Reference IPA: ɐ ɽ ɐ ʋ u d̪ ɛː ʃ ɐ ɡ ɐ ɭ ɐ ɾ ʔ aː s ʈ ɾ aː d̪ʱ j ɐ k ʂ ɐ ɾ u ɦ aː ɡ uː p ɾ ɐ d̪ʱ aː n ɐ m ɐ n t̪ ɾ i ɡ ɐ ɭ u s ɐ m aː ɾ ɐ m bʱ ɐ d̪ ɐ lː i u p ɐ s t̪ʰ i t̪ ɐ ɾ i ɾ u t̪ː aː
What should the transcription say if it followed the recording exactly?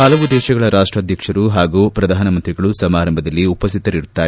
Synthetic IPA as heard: ɐ l ɐ ʋ u d̪ ɛː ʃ ɐ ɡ ɐ ɭ ɐ ɾ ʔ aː ʂ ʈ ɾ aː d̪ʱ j ɐ k ʂ ɐ ɾ u ɦ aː ɡ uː p ɾ ɐ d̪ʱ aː n ɐ m ɐ n t̪ ɾ i ɡ ɐ ɭ u s ɐ m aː ɾ ɐ m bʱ ɐ d̪ ɐ lː i u p ɐ s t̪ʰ i t̪ ɐ ɾ i ɾ u t̪ː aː